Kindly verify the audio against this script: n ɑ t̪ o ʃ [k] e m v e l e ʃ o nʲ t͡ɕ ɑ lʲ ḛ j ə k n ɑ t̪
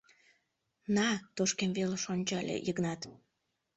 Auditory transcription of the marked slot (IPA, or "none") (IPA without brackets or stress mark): k